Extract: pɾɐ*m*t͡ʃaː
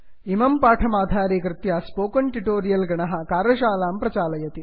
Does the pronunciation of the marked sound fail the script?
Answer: yes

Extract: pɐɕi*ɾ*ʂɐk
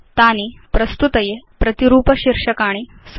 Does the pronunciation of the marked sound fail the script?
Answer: no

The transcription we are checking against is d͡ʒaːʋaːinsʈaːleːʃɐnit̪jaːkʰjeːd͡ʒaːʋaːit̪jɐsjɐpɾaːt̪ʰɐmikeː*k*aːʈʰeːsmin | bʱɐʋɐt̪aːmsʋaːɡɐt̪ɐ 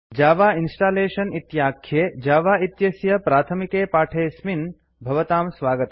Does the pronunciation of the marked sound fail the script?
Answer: yes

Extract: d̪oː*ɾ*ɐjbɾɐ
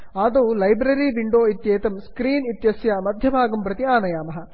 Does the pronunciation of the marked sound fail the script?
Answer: yes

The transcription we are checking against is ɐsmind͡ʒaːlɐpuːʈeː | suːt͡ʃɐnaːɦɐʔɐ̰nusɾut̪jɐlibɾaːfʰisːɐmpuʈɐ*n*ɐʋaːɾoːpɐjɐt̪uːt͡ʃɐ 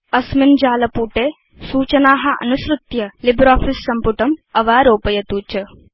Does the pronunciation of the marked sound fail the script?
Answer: yes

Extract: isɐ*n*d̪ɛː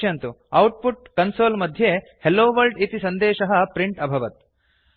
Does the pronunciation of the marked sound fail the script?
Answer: no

